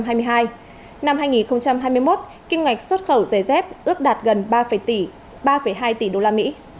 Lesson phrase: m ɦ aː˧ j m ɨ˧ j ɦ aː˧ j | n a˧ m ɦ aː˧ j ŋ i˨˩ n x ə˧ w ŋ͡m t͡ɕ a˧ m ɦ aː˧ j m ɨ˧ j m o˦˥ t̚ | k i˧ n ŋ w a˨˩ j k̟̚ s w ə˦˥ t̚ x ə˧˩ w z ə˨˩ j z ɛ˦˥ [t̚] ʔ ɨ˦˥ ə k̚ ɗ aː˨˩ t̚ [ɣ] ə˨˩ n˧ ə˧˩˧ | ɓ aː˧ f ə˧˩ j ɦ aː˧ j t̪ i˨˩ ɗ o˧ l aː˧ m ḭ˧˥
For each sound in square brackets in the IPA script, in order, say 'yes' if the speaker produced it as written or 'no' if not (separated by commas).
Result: no, yes